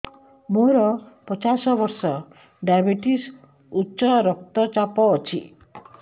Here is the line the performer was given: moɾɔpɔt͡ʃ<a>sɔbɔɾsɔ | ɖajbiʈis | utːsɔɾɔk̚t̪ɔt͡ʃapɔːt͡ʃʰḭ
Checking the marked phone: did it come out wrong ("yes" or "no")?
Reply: no